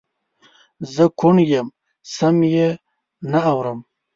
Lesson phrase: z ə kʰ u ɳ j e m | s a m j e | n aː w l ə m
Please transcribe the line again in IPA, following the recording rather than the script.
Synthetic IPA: z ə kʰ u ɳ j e m | s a m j e | n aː w ɾ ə m